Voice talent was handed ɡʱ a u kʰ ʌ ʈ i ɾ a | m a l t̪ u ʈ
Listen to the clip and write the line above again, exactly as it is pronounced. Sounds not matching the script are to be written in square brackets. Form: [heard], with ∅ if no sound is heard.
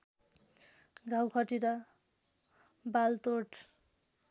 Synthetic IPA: ɡʱ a [w] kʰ ʌ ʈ i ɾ [ʌ] | [b] a l t̪ [o] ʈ